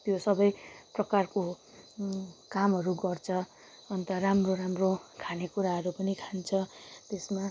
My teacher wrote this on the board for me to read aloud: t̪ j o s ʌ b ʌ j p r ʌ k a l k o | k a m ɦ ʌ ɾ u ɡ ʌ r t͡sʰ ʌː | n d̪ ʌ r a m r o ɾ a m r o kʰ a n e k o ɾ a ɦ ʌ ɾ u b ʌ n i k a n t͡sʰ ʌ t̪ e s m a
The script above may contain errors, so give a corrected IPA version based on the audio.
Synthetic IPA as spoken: t̪ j o s ʌ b ʌ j p r ʌ k a r k o | k a m ɦ ʌ ɾ u ɡ ʌ r t͡sʰ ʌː | n t̪ ʌ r a m r o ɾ a m r o kʰ a n e k u ɾ a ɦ ʌ ɾ u p ʌ n i kʰ a n t͡sʰ ʌ t̪ e s m a